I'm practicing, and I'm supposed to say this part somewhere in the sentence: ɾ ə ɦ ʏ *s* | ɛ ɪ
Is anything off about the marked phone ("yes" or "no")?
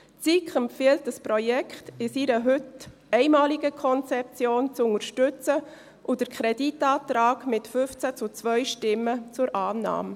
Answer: yes